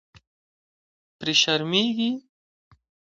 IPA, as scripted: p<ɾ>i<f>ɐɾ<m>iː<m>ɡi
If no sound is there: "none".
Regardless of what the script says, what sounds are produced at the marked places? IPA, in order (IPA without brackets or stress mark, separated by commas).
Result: ɾ, ʃ, m, none